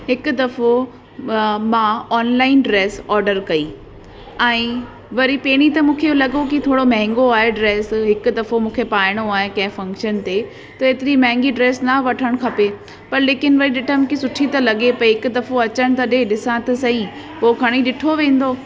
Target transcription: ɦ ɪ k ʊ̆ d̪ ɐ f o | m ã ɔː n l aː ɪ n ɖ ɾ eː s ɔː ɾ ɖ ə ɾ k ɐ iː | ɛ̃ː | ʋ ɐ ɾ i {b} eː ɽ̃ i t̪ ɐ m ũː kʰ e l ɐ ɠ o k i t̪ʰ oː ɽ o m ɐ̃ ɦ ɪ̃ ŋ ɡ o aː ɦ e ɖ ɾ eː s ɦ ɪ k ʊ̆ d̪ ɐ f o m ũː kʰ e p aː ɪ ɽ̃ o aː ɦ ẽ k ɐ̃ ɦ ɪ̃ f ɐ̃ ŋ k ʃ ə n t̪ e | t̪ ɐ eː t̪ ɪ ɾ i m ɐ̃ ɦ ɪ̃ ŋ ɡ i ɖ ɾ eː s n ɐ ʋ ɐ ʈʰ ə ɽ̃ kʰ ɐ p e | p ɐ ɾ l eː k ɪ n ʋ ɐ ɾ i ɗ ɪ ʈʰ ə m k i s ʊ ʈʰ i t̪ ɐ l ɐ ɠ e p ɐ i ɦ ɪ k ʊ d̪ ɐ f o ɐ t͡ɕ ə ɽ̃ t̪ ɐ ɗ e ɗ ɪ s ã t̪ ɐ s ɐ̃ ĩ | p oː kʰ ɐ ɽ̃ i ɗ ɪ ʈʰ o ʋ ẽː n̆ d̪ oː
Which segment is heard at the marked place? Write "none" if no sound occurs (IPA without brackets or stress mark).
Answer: p